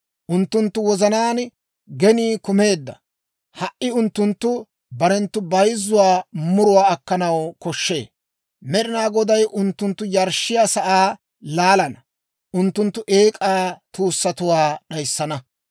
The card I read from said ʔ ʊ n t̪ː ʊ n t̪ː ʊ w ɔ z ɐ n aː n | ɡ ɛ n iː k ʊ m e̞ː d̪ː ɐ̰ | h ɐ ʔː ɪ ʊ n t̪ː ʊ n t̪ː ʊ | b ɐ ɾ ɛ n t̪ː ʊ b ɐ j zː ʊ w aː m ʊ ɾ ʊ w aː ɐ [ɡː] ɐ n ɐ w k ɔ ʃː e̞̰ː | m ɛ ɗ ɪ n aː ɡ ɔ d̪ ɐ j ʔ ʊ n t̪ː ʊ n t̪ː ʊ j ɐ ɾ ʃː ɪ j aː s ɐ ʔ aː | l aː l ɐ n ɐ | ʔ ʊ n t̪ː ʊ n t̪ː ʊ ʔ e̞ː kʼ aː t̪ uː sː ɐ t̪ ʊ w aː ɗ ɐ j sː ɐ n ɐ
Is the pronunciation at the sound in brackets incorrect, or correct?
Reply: incorrect